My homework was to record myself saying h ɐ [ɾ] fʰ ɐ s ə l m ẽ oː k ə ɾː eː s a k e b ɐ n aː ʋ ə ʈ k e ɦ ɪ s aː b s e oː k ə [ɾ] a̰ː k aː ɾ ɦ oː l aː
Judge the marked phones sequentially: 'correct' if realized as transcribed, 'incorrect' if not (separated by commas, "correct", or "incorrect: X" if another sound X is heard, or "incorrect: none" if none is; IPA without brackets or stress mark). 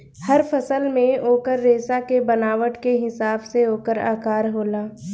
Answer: correct, correct